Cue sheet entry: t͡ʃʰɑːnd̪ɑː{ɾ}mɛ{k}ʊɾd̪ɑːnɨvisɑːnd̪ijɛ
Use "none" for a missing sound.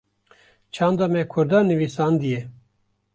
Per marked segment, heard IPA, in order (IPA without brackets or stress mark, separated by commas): none, kʰ